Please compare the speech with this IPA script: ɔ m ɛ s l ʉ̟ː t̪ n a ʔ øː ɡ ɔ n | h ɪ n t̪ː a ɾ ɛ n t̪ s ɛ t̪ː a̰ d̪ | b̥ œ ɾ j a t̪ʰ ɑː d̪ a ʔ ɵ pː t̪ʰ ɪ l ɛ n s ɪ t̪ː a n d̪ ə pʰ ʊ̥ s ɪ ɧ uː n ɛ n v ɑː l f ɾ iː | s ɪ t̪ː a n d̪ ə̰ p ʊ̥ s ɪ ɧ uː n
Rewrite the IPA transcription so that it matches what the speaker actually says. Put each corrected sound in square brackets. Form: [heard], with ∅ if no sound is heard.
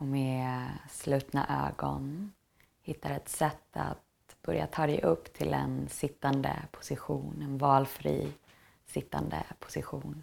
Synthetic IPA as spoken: ɔ m ɛ s l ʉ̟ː t̪ n a ʔ øː ɡ ɔ n | h ɪ [∅] t̪ː a ɾ ɛ [∅] t̪ s ɛ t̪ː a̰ [t̪] | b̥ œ ɾ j a t̪ʰ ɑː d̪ [ɛ] ʔ ɵ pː t̪ʰ ɪ l ɛ n s ɪ t̪ː a n d̪ ə pʰ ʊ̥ s ɪ ɧ uː n ɛ n v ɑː l f ɾ iː | s ɪ t̪ː a n d̪ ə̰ [pʰ] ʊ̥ s ɪ ɧ uː n